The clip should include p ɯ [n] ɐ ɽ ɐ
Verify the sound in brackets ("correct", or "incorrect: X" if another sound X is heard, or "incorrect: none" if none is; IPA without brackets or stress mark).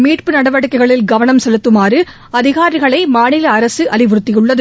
correct